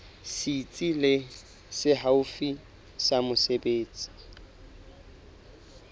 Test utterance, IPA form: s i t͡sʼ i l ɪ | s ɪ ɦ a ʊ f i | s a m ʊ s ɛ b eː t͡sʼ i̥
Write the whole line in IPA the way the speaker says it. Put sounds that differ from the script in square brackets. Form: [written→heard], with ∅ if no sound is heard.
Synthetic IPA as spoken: s i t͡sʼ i l ɪ | s ɪ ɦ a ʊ f i | s a m ʊ s [ɛ→e] b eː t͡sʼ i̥